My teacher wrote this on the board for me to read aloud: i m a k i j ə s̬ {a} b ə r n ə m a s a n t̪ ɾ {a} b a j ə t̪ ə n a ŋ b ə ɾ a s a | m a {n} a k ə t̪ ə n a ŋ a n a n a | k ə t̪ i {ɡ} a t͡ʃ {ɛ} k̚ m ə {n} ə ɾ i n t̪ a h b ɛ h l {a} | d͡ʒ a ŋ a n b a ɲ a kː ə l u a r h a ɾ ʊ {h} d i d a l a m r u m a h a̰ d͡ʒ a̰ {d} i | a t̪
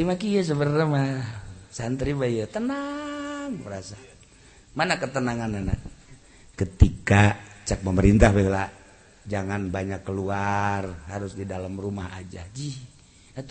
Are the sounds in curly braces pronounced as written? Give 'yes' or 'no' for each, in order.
no, no, yes, no, no, no, yes, no, no

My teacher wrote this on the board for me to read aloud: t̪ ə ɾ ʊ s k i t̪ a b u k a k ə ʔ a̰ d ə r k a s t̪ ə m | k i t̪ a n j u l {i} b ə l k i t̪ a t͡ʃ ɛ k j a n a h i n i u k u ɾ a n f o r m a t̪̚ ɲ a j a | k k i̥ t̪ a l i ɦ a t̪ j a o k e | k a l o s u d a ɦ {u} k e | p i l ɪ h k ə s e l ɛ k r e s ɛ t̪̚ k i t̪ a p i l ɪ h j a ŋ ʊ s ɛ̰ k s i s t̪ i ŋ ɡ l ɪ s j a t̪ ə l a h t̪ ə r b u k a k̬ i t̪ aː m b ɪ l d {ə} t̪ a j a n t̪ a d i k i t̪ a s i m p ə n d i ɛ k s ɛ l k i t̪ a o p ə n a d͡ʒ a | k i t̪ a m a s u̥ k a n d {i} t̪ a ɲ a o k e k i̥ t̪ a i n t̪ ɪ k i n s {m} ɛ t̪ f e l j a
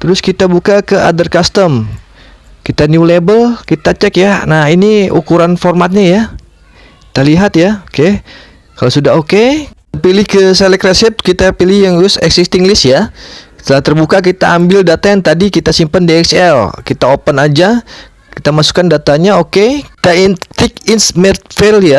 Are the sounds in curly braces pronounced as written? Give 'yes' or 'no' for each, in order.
no, no, no, no, yes

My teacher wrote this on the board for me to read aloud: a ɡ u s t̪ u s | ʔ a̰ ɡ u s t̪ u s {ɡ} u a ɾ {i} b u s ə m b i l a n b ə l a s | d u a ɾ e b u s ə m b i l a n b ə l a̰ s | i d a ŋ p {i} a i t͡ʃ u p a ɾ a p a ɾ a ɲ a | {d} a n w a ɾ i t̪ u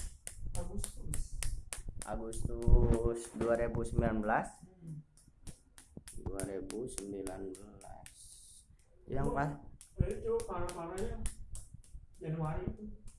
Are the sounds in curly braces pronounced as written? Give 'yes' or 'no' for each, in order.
no, no, no, no

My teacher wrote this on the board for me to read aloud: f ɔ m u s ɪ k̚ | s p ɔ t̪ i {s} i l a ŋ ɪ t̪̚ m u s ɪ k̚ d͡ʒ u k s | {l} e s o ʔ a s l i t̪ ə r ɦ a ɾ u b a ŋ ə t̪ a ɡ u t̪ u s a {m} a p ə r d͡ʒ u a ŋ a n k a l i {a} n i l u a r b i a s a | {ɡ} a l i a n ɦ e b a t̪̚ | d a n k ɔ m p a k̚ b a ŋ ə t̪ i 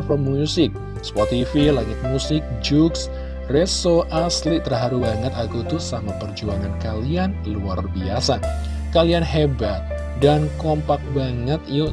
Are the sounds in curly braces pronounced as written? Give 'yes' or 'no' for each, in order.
no, no, yes, yes, no

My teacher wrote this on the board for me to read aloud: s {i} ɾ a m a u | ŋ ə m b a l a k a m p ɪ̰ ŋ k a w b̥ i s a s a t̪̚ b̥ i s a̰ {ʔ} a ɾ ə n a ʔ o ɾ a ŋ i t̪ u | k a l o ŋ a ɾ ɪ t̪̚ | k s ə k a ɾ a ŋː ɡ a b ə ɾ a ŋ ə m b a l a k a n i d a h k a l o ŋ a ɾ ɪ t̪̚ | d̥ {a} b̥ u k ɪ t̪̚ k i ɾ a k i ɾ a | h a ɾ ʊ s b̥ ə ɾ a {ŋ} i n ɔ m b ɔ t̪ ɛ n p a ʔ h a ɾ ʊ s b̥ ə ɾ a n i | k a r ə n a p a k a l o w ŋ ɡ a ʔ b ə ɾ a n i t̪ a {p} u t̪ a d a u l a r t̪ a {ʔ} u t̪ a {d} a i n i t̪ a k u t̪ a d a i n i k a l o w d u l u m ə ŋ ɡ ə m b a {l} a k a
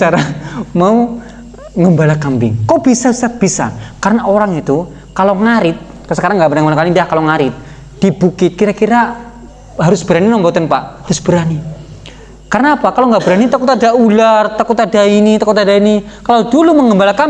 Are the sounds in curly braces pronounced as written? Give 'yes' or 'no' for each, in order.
no, no, no, no, no, no, yes, yes

